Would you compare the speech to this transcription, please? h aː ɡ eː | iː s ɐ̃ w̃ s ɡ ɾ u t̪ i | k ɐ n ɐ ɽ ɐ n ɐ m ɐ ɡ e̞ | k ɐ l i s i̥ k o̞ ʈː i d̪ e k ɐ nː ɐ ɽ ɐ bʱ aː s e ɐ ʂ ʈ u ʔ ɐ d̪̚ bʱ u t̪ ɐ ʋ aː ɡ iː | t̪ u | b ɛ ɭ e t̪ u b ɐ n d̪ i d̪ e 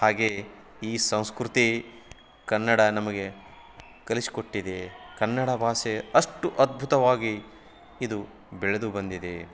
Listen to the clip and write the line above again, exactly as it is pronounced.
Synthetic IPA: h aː ɡ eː | iː s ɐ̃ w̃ s k ɾ u t̪ i | k ɐ nː ɐ ɽ ɐ n ɐ m ɐ ɡ e̞ | k ɐ l i s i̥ k o̞ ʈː i d̪ e k ɐ nː ɐ ɽ ɐ bʱ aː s e ɐ ʂ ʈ u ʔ ɐ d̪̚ bʱ u t̪ ɐ ʋ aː ɡ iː | d̪ u | b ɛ ɭ e d̪ u b ɐ n d̪ i d̪ e